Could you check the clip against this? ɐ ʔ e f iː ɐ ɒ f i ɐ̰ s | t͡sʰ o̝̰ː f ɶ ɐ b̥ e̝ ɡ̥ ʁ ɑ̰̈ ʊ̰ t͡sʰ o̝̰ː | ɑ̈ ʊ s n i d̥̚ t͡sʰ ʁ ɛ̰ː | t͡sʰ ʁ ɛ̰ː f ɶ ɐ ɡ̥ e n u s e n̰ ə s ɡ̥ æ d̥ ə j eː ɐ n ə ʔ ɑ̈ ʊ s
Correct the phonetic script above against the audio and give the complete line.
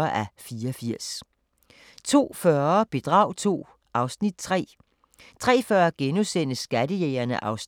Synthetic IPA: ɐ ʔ æ f iː ɐ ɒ f i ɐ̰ s | t͡sʰ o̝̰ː f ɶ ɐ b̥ e̝ d̥ ʁ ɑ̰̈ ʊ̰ t͡sʰ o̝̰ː | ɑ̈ ʊ s n i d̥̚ t͡sʰ ʁ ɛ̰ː | t͡sʰ ʁ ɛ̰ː f ɶ ɐ ɡ̥ e n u s e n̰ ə s ɡ̥ æ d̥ ə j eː ɐ n ə ʔ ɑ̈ ʊ s